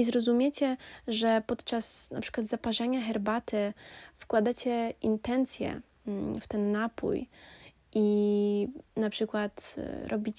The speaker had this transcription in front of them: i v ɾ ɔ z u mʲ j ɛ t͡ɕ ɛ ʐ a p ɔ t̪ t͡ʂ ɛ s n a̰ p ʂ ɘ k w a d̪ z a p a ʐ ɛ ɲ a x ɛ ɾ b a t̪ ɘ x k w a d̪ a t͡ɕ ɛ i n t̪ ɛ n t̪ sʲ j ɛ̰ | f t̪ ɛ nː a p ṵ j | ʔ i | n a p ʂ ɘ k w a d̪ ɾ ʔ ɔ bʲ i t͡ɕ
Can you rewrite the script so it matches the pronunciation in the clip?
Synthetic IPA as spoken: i z ɾ ɔ z u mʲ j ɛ t͡ɕ ɛ ʐ ɛ p ɔ t̪ t͡ʂ a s n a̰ p ʂ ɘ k w a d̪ z a p a ʐ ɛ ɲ a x ɛ ɾ b a t̪ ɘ f k w a d̪ a t͡ɕ ɛ i n t̪ ɛ n t̪ sʲ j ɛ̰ | f t̪ ɛ nː a p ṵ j | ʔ i | n a p ʂ ɘ k w a t̪ ɾ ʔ ɔ bʲ i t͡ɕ